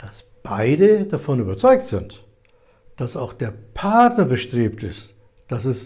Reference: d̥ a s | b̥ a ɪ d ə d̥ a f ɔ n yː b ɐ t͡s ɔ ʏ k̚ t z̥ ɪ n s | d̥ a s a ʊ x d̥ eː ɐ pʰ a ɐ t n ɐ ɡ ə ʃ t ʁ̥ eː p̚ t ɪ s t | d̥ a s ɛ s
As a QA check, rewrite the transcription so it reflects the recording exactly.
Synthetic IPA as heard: d̥ a s | b̥ a ɪ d ə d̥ a f ɔ n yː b ɐ t͡s ɔ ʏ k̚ t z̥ ɪ n t | d̥ a s a ʊ x d̥ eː ɐ pʰ a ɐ t n ɐ b ə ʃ t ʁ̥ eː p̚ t ɪ s t | d̥ a s ɛ s